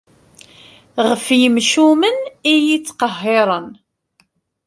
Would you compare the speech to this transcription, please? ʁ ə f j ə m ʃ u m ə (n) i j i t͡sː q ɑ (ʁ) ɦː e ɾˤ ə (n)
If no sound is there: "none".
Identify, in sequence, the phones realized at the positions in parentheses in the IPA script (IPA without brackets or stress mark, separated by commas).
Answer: n, none, n